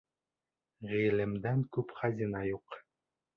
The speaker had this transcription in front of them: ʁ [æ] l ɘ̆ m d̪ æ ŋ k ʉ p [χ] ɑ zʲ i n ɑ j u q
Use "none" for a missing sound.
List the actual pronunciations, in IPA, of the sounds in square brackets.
i, χ

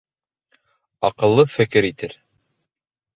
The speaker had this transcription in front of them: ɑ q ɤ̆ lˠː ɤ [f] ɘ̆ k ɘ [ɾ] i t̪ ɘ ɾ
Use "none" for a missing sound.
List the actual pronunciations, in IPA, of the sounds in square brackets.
f, ɾ

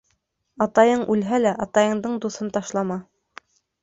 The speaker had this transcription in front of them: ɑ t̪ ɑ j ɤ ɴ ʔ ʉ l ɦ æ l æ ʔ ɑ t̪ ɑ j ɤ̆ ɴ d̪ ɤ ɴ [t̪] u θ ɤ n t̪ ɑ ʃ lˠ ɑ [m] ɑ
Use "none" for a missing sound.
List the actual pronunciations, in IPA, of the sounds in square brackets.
d̪, m

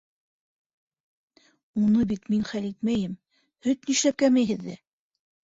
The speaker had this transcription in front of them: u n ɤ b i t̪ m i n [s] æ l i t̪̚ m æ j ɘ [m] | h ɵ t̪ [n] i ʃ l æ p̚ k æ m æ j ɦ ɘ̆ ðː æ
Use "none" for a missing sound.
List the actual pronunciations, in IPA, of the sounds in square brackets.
χ, m, n

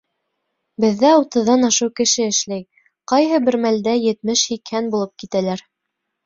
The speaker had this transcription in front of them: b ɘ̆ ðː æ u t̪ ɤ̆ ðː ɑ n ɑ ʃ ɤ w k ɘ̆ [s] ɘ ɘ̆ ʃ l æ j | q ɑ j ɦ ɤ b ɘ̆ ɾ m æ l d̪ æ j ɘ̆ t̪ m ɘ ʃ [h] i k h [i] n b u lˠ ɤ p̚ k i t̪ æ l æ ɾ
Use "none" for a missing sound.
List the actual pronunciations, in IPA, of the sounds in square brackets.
ʃ, h, æ

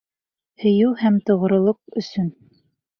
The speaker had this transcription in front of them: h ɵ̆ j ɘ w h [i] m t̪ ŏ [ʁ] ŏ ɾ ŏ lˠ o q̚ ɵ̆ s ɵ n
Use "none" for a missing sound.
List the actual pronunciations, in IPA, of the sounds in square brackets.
æ, ʁ

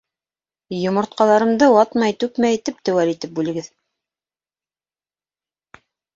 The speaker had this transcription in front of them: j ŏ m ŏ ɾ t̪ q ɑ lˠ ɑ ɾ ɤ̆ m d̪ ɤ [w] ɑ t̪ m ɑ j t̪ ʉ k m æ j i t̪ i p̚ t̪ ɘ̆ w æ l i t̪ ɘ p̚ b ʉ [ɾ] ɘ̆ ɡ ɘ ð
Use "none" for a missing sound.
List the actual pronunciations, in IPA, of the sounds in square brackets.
w, l

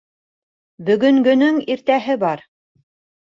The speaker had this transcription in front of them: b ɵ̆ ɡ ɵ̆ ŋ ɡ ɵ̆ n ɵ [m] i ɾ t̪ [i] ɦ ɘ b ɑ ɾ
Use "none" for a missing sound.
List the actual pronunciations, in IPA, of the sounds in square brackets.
ŋ, æ

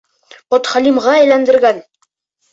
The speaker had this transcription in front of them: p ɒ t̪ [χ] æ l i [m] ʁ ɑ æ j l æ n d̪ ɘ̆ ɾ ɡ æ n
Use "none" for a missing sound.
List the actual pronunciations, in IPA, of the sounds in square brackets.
χ, m

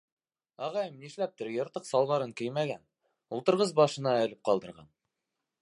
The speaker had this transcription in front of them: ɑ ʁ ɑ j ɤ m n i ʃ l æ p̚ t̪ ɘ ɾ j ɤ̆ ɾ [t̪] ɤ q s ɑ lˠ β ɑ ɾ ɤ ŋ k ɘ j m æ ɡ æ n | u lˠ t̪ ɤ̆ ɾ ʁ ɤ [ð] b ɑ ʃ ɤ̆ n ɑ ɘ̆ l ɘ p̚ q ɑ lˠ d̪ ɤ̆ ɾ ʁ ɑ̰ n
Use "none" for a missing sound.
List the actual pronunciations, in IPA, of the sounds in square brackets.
t̪, z

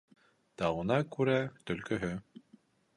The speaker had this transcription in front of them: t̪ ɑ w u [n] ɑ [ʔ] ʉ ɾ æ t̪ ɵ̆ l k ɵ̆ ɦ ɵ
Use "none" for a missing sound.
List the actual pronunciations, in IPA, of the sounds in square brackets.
n, k

